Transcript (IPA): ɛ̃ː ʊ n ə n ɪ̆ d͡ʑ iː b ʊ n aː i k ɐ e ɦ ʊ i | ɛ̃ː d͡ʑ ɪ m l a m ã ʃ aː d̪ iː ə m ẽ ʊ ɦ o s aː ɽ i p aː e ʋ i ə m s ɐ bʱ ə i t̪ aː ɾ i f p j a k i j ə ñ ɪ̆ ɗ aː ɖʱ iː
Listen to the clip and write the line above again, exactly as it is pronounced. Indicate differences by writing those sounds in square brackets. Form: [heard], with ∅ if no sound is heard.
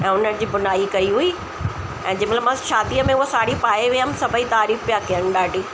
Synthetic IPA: ɛ̃ː ʊ n ə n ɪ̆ d͡ʑ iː b ʊ n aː i k ɐ [i] ɦ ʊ i | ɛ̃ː d͡ʑ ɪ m l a m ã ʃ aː d̪ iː ə m ẽ ʊ ɦ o s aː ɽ i p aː e ʋ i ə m s ɐ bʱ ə i t̪ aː ɾ [iː] f p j a k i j ə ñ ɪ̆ ɗ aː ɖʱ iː